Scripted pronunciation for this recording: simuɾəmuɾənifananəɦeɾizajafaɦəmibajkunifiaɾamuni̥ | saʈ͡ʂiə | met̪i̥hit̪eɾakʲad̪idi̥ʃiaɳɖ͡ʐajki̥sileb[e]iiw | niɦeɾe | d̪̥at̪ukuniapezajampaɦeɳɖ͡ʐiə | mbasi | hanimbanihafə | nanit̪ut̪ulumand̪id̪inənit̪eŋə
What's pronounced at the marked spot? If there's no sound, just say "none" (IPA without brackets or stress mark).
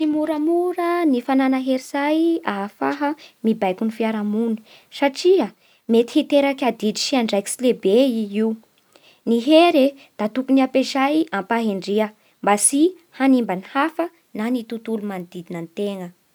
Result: e